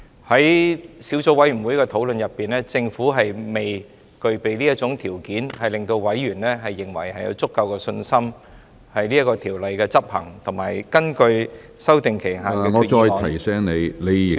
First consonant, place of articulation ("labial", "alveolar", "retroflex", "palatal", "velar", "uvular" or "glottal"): glottal